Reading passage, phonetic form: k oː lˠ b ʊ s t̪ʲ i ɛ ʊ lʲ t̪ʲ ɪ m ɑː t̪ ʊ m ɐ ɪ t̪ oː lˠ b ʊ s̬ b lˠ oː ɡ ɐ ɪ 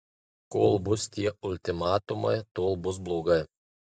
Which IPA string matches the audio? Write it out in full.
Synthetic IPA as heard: k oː lˠ b ʊ s t̪ʲ i ɛ ʊ lʲ t̪ʲ ɪ m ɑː t̪ ʊ m ɐ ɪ t̪ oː lˠ b ʊ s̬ b lˠ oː ɡ ɐ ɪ